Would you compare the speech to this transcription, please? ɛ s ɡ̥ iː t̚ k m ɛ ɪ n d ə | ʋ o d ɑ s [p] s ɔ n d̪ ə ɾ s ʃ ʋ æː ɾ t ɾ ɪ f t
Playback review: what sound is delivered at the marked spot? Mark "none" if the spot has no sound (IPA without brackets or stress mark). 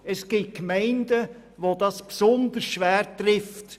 p